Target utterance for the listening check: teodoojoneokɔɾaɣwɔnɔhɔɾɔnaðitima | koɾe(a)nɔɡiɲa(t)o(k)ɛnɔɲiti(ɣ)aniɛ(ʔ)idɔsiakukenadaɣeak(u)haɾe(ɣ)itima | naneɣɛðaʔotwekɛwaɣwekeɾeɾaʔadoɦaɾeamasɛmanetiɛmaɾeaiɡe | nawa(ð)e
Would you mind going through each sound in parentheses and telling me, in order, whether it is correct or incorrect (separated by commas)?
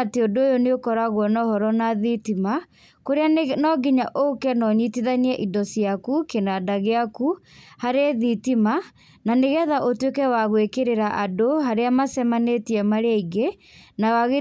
correct, incorrect, correct, incorrect, correct, correct, incorrect, incorrect